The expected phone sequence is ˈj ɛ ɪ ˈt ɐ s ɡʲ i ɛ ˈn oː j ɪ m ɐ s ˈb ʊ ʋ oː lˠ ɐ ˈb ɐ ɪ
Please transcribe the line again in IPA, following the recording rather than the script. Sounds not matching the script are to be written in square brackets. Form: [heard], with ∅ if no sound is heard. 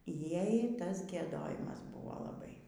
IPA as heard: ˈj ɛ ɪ ˈt ɐ s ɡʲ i ɛ [ˈd] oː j ɪ m ɐ s ˈb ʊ ʋ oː lˠ ɐ ˈb ɐ ɪ